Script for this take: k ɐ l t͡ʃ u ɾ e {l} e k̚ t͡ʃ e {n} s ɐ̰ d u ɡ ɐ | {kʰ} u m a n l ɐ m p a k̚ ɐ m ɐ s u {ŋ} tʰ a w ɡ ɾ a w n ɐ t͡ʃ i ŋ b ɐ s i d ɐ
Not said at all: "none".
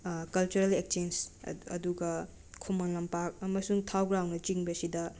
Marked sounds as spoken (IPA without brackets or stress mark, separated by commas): l, n, kʰ, ŋ